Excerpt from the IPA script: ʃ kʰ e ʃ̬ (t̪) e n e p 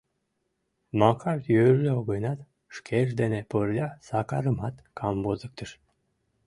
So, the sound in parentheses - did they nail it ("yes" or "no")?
no